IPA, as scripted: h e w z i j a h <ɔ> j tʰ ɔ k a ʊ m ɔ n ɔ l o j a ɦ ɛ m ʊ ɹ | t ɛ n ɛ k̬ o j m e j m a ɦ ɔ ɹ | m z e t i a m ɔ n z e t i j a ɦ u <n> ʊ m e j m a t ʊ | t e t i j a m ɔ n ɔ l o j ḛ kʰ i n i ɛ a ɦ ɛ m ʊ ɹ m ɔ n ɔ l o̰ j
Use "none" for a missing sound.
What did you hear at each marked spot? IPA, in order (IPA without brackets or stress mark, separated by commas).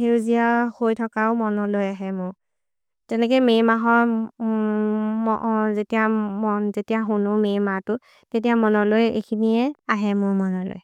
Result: o, n